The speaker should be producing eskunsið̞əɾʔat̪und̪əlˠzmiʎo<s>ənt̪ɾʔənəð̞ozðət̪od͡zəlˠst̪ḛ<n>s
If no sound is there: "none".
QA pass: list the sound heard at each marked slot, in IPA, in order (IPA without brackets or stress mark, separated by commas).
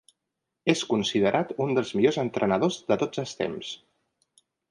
z, m